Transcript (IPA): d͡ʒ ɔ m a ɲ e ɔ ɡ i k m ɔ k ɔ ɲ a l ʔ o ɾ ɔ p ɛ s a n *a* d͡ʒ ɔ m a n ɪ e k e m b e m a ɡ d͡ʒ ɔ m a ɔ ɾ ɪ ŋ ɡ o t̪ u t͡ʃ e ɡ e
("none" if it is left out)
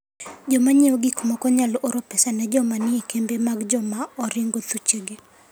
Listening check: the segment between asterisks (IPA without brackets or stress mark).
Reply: ɛ